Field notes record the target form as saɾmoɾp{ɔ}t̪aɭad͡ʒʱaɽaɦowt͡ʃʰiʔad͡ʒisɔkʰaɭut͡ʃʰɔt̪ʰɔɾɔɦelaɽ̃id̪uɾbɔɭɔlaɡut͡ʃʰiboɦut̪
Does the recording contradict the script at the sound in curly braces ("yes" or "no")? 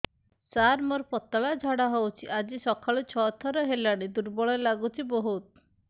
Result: no